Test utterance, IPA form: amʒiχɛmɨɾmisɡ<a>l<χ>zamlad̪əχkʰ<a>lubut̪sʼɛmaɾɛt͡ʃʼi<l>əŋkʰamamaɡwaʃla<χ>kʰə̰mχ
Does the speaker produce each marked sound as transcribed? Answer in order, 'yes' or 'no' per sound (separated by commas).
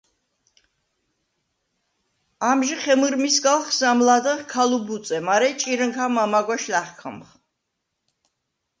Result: yes, yes, yes, no, yes